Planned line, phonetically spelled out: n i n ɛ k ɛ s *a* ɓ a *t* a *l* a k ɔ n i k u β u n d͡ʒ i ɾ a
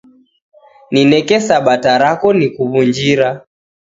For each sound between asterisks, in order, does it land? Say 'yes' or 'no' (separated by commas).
yes, yes, no